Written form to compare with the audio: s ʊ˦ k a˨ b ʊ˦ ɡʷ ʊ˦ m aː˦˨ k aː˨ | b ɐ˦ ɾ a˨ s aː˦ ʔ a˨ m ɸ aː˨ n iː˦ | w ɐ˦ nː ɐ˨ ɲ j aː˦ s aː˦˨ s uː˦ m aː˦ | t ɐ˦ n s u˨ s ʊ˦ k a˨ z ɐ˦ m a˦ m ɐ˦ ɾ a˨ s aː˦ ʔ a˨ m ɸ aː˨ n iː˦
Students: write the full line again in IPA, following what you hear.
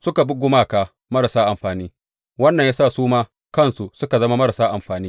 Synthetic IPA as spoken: s ʊ˦ k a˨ b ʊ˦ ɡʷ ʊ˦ m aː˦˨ k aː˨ | m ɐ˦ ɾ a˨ s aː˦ ʔ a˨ m ɸ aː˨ n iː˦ | w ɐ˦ nː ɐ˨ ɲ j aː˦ s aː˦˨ s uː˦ m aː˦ | k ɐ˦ n s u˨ s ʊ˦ k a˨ z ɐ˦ m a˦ m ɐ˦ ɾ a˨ s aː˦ ʔ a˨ m ɸ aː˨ n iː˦